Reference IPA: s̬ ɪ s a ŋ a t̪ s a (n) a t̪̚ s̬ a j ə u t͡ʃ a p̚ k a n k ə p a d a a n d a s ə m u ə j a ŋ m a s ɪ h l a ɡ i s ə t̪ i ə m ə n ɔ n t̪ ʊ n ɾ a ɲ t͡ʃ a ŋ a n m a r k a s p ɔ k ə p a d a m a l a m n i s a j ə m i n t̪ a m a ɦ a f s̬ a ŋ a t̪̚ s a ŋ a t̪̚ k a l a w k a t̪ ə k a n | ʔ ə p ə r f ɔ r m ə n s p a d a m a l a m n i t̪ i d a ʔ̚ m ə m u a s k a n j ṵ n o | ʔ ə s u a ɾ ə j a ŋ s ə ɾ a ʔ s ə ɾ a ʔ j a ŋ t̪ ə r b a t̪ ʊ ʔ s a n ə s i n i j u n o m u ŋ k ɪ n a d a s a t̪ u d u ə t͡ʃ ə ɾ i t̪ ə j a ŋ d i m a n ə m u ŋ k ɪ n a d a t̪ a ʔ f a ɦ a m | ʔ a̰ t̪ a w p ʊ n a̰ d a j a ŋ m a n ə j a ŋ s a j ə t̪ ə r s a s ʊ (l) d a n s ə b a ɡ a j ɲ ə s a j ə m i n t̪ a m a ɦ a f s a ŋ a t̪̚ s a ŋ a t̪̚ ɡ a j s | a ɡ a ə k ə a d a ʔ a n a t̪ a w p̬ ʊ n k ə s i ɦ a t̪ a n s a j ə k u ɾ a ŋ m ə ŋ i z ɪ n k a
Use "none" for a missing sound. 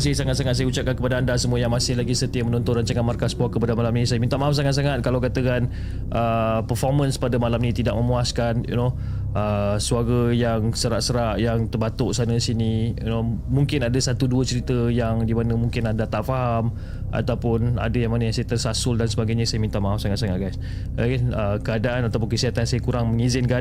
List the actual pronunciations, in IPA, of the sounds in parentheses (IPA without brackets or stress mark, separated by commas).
ŋ, l